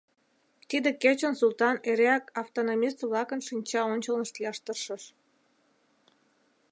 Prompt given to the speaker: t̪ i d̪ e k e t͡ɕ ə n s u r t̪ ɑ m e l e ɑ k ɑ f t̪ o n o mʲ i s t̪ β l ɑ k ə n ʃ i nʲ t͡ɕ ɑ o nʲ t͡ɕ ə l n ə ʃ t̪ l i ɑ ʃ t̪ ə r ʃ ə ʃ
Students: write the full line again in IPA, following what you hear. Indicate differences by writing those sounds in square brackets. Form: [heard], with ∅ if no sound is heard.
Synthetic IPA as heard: t̪ i d̪ e k e t͡ɕ ə n s u [l] t̪ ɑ [n] e [ɾ] e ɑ k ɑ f t̪ o n o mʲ i s t̪ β l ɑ k ə n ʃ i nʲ t͡ɕ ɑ o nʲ t͡ɕ ə l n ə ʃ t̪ l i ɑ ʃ t̪ ə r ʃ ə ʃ